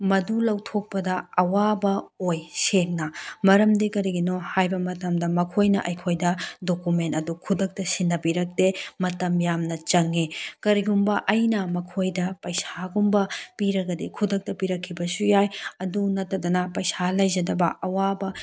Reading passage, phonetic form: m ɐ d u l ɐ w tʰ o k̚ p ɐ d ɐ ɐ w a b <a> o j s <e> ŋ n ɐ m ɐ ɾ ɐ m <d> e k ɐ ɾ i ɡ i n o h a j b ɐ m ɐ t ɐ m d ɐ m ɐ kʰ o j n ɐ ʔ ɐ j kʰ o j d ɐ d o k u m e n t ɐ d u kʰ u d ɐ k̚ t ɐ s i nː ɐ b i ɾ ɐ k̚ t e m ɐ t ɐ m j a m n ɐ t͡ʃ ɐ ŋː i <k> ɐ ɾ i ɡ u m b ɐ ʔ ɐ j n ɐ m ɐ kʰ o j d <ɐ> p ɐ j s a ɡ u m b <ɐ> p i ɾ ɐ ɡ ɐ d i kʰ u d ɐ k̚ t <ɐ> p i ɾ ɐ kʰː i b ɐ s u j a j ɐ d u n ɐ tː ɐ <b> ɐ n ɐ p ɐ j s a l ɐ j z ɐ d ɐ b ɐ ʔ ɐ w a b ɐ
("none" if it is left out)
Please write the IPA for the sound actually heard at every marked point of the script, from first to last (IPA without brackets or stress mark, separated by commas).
ɐ, e, d, k, ɐ, ɐ, ɐ, d